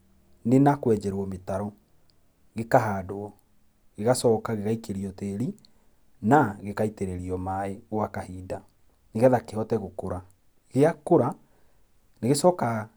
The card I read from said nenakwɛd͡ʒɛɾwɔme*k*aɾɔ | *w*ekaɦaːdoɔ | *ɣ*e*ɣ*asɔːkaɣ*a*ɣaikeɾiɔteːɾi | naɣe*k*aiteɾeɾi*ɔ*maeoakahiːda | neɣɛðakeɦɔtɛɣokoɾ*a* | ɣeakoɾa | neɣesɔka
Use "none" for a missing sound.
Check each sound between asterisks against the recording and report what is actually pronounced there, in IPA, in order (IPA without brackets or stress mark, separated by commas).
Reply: t, ɣ, ɣ, ɣ, e, k, ɔ, a